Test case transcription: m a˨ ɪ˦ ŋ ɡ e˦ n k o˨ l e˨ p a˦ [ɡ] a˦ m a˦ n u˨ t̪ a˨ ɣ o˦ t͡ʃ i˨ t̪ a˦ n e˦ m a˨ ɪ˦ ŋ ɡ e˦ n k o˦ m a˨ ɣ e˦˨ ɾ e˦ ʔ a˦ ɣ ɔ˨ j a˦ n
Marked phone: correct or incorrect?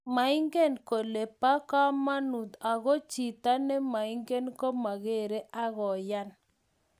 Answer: incorrect